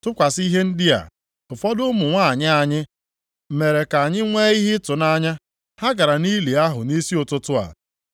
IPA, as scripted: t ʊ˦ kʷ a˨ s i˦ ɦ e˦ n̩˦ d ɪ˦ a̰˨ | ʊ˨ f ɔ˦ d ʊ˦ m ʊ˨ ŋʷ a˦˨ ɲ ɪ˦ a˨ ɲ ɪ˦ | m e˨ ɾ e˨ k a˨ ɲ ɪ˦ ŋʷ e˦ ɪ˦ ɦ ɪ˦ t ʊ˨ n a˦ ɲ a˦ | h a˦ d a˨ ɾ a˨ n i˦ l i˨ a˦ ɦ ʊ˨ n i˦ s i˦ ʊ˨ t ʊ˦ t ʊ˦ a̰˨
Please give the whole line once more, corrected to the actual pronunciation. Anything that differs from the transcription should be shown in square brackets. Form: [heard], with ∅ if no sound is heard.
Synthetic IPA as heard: t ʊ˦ kʷ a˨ s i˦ ɦ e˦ n̩˦ d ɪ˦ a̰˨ | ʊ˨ f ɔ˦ d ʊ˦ m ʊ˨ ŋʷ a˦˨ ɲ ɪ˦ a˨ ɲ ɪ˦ | m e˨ ɾ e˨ k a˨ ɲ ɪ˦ ŋʷ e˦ [i˦] ɦ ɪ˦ t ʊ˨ n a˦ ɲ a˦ | h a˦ [ɡ] a˨ ɾ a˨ n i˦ l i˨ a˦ ɦ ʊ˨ n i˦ s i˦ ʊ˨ t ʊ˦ t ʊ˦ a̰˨